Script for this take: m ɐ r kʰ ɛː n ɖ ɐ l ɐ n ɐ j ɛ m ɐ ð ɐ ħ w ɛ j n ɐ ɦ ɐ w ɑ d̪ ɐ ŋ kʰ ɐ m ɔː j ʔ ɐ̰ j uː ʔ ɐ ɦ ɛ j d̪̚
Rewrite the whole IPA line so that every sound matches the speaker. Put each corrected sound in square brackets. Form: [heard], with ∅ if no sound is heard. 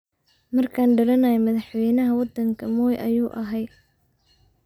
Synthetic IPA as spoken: m ɐ r kʰ [aː] n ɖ ɐ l ɐ n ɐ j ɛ m ɐ ð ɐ ħ w ɛ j n ɐ ɦ ɐ w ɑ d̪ ɐ ŋ kʰ ɐ m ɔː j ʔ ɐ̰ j uː ʔ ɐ ɦ ɛ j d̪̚

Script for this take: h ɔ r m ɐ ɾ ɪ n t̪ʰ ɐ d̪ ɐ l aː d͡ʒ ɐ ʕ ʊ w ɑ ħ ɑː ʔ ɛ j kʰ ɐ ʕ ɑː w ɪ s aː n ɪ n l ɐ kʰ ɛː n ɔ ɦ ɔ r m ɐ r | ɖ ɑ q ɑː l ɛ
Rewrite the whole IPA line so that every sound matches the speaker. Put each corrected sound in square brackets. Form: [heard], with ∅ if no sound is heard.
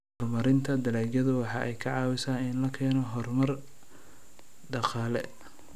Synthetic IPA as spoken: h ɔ r m ɐ ɾ ɪ n t̪ʰ ɐ d̪ ɐ l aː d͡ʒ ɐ [ð] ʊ w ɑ ħ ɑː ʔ ɛ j kʰ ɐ ʕ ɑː w ɪ s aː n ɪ n l ɐ kʰ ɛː n ɔ ɦ ɔ r m ɐ r | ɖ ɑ q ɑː l ɛ

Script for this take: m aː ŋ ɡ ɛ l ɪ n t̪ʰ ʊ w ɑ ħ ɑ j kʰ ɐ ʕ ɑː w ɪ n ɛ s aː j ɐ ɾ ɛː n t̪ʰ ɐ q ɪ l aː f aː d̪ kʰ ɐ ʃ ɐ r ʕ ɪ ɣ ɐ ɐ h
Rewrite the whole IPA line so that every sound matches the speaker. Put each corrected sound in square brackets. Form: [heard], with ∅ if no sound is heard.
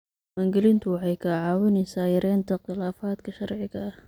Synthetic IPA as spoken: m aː ŋ ɡ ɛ l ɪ n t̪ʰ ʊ w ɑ ħ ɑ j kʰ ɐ ʕ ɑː w ɪ n ɛ s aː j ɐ ɾ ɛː n t̪ʰ ɐ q ɪ l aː f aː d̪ kʰ ɐ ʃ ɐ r ʕ ɪ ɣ ɐ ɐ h

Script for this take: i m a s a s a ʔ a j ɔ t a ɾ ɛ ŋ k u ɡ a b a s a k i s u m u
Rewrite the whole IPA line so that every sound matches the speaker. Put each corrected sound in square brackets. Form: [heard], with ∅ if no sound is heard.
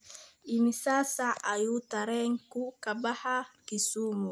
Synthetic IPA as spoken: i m [i] s a s a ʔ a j [u] t a ɾ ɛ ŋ k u [k] a b a [h] a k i s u m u

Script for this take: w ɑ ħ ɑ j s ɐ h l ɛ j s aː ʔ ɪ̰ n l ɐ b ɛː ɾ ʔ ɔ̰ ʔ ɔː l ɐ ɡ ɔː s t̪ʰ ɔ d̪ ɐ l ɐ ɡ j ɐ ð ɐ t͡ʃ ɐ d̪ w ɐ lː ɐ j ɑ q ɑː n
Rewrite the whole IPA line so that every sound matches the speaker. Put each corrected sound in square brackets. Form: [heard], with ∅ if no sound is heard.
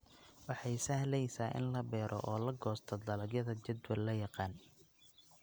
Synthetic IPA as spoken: w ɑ ħ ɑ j s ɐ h l ɛ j s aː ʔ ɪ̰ n l ɐ b ɛː ɾ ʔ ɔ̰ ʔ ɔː l ɐ ɡ ɔː s t̪ʰ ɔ d̪ ɐ l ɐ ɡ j ɐ ð ɐ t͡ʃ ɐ d̪ w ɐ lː ɐ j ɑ q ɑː n

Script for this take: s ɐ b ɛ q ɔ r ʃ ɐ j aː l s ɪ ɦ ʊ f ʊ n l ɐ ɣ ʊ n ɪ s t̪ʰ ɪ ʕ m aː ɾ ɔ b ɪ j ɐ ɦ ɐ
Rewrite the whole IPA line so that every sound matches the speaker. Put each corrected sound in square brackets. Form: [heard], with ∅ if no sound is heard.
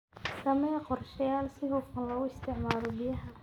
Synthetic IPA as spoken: s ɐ [m] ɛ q ɔ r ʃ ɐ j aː l s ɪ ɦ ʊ f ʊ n l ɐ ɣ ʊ [∅] ɪ s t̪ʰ ɪ ʕ m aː ɾ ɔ b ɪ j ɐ ɦ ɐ

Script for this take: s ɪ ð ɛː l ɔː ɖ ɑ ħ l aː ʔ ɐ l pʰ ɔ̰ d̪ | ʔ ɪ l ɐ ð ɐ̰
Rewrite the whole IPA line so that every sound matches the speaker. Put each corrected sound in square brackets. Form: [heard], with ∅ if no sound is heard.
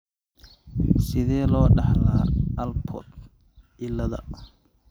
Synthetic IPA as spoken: s ɪ ð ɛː l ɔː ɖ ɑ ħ l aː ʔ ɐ l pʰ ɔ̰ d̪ | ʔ ɪ l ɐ ð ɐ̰

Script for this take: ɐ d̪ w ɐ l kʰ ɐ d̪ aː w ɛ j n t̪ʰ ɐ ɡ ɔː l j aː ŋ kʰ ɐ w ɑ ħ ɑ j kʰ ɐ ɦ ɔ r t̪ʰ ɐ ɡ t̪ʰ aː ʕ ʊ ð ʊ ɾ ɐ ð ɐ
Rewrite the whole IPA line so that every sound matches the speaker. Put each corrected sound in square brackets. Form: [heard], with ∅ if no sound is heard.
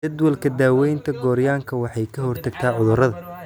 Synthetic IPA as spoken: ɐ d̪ w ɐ l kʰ ɐ d̪ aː w ɛ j n t̪ʰ ɐ ɡ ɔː [ɾ] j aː ŋ kʰ ɐ w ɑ ħ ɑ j kʰ ɐ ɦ ɔ r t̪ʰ ɐ ɡ t̪ʰ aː ʕ ʊ ð ʊ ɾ ɐ ð ɐ

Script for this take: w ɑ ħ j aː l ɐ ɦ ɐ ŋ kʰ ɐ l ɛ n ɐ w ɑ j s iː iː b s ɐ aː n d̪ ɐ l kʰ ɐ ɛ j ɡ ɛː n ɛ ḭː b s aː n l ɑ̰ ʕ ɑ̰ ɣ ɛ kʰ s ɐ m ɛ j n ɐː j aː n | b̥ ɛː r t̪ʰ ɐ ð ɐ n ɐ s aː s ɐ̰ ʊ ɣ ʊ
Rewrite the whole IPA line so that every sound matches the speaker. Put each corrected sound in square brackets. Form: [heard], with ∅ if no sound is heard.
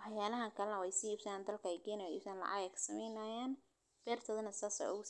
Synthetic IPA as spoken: w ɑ ħ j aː l ɐ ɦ ɐ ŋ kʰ ɐ l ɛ n ɐ w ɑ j s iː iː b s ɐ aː n d̪ ɐ l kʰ ɐ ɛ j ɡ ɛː n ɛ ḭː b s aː n l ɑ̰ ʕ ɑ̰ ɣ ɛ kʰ s ɐ m ɛ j n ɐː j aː n | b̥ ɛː r t̪ʰ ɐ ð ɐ n ɐ s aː s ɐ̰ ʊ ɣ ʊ

